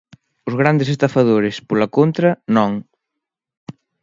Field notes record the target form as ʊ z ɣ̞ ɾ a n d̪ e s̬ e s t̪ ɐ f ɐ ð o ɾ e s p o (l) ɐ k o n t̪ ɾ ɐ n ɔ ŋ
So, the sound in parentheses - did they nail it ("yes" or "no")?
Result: yes